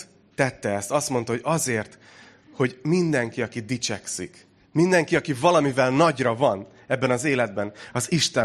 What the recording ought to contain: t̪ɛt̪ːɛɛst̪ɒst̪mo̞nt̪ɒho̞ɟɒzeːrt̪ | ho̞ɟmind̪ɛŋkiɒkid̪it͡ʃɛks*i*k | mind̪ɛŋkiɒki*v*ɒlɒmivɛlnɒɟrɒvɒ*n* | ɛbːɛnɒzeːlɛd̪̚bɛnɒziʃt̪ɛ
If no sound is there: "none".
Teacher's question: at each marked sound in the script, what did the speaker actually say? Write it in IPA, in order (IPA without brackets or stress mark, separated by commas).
i, v, n